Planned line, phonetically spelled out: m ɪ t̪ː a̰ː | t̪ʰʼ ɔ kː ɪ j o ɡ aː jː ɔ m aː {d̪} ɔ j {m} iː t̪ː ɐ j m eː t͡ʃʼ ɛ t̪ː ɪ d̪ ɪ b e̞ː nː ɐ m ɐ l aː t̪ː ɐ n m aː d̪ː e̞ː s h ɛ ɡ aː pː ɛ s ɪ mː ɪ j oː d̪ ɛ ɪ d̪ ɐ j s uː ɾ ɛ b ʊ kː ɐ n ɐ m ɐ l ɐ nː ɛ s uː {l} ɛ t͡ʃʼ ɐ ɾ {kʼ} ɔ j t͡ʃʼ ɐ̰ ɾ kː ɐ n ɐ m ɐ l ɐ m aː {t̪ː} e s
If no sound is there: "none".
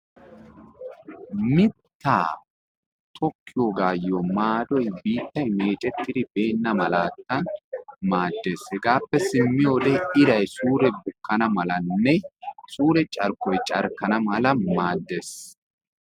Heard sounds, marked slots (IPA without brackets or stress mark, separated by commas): d̪, b, ɾ, k, d̪ː